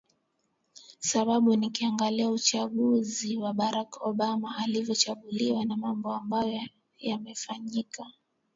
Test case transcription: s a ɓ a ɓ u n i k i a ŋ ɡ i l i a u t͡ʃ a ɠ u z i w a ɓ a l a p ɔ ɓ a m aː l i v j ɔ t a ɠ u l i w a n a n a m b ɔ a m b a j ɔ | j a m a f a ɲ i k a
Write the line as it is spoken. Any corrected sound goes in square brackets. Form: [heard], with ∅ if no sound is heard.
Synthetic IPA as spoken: s a ɓ a ɓ u n i k i a ŋ ɡ [a] l i a u t͡ʃ a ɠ u z i w a ɓ a [ɾ] a [k] ɔ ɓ a m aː l i v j ɔ [t͡ʃ] a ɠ u l i w a n a [m] a m b ɔ a m b a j ɔ | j a m [ɛ] f a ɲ i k a